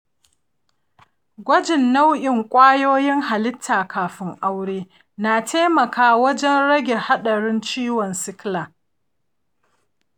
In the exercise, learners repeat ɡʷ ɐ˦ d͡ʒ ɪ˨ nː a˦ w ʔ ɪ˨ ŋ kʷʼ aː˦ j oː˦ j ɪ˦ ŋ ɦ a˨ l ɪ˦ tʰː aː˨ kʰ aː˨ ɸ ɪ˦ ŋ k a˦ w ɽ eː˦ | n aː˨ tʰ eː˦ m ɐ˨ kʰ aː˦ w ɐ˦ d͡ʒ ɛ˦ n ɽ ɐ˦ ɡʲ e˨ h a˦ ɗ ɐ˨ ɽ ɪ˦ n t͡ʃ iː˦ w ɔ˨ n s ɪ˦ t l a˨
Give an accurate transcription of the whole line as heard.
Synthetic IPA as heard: ɡʷ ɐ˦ d͡ʒ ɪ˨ nː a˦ w ʔ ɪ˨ ŋ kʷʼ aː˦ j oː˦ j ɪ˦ ŋ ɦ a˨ l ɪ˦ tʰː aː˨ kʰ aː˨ ɸ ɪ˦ ŋ ʔ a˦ w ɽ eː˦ | n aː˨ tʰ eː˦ m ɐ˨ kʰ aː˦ w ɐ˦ d͡ʒ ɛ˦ n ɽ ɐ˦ ɡʲ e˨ h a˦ ɗ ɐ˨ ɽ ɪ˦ n t͡ʃ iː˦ w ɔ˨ n s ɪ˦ k l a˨

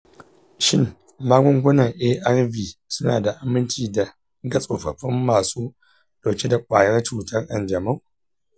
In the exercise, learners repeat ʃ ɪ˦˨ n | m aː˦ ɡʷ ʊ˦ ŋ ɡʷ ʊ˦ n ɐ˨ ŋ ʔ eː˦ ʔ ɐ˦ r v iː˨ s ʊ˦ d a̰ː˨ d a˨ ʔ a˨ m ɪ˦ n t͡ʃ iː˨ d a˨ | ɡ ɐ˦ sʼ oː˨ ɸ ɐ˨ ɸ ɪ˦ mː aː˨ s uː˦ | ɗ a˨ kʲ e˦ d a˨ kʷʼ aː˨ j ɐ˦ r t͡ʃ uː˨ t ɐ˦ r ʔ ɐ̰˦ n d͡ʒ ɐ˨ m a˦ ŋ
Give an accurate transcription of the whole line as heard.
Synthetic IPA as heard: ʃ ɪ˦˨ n | m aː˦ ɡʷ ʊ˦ ŋ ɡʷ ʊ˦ n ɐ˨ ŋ ʔ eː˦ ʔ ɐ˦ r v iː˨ s ʊ˦ n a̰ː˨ d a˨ ʔ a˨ m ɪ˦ n t͡ʃ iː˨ d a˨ | ɡ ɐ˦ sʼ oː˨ ɸ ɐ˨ ɸ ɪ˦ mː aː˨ s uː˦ | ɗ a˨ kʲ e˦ d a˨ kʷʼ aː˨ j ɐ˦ r t͡ʃ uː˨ t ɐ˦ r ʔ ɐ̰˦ n d͡ʒ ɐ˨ m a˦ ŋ

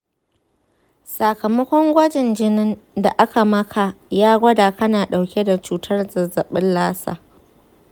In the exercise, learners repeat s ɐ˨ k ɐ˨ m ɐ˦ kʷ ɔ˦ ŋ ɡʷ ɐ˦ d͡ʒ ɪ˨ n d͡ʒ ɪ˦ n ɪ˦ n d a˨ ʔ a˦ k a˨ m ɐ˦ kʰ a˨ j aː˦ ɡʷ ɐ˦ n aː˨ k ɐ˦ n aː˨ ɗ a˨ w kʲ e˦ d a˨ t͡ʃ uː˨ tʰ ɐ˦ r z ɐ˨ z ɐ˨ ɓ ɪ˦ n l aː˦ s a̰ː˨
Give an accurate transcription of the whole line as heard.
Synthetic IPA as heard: s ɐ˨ k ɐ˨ m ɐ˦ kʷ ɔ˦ ŋ ɡʷ ɐ˦ d͡ʒ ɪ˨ n d͡ʒ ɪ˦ n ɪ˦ n d a˨ ʔ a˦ k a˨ m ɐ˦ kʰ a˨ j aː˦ ɡʷ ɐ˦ d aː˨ k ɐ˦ n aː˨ ɗ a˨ w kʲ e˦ d a˨ t͡ʃ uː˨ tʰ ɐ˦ r z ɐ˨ z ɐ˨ ɓ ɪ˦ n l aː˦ s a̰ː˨

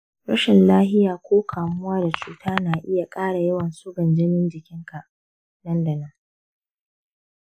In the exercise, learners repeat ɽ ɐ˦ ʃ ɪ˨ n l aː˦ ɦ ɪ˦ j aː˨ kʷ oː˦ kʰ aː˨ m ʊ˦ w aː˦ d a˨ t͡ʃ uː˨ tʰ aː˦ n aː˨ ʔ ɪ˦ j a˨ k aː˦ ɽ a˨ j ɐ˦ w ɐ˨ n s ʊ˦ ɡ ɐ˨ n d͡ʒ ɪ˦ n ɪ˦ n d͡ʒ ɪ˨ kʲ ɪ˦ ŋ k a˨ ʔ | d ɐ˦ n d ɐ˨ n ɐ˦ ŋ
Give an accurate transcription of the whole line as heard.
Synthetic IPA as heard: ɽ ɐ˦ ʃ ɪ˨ n l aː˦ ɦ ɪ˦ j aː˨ kʷ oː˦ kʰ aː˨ m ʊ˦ w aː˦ d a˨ t͡ʃ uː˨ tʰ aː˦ n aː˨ ʔ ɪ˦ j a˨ kʼ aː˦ ɽ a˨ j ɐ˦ w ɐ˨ n s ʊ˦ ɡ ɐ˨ n d͡ʒ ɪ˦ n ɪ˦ n d͡ʒ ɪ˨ kʲ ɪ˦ ŋ k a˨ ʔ | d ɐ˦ n d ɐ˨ n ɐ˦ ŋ

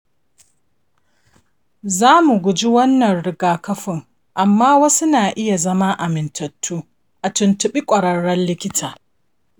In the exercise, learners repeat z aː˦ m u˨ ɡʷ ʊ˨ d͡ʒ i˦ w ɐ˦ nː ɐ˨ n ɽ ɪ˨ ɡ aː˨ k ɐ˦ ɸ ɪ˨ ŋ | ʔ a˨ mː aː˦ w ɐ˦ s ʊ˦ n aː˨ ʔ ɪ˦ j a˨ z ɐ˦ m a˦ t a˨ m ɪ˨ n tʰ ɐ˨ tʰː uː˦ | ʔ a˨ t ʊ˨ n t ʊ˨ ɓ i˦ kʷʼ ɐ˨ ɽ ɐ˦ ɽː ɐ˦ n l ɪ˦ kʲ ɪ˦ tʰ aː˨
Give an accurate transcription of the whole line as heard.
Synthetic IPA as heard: z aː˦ m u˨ ɡʷ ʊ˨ d͡ʒ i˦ w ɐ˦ nː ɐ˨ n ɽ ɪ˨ ɡ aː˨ k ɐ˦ ɸ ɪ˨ ŋ | ʔ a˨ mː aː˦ w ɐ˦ s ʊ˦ n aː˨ ʔ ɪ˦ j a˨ z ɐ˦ m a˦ ʔ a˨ m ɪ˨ n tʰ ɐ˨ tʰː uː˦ | ʔ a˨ t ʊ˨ n t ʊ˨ ɓ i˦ kʷʼ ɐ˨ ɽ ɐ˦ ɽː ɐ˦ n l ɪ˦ kʲ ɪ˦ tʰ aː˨

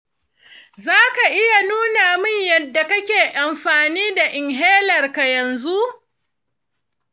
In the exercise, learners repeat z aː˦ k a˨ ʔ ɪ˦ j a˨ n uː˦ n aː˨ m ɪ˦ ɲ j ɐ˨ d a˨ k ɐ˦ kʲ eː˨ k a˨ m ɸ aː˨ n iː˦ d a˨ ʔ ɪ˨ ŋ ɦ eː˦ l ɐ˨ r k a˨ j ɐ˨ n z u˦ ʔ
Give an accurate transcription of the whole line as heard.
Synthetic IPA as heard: z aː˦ k a˨ ʔ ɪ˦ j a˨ n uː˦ n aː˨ m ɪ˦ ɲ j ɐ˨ dː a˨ k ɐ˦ kʲ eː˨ ʔ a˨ m ɸ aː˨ n iː˦ d a˨ ʔ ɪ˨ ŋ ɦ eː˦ l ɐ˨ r k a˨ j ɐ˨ n z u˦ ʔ

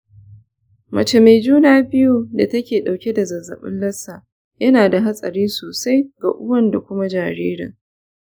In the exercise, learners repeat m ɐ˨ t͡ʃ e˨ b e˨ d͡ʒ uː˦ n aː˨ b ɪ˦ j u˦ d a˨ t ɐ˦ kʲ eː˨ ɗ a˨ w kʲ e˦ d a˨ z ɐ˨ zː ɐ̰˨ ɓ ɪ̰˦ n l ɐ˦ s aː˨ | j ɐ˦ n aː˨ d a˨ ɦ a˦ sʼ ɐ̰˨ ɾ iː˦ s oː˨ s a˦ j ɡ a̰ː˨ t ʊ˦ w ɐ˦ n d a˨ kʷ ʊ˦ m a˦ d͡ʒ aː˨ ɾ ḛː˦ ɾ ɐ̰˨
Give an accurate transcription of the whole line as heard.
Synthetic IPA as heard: m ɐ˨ t͡ʃ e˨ m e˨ d͡ʒ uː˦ n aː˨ b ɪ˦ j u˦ d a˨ t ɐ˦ kʲ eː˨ ɗ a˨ w kʲ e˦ d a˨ z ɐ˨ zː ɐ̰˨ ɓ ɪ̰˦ n l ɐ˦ s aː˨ | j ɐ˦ n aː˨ d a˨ ɦ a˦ sʼ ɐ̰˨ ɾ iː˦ s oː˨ s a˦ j ɡ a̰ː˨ ʔ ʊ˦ w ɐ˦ n d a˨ kʷ ʊ˦ m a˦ d͡ʒ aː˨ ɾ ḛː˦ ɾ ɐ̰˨

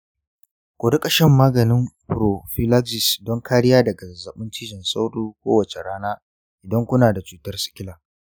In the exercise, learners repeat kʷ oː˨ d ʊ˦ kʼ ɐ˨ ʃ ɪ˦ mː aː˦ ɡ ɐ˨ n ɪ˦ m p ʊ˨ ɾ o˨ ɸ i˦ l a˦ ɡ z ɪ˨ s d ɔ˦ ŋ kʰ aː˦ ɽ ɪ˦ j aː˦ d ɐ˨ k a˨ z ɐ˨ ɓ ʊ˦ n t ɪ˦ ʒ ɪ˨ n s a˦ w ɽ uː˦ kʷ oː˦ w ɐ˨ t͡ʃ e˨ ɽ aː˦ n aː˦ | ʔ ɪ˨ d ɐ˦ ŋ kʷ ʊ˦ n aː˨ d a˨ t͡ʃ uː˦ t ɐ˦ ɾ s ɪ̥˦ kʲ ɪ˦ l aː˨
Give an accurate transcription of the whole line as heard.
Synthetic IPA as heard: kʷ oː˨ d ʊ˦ kʼ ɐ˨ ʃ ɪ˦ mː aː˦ ɡ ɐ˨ n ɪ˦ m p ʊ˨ ɾ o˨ ɸ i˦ l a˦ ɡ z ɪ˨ s d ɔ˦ ŋ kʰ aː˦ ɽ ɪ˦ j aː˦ d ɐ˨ ɡ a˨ z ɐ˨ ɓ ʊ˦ n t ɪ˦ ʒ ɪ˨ n s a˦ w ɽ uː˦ kʷ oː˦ w ɐ˨ t͡ʃ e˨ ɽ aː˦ n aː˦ | ʔ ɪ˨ d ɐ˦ ŋ kʷ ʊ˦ n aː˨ d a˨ t͡ʃ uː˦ t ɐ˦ r s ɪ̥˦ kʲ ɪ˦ l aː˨

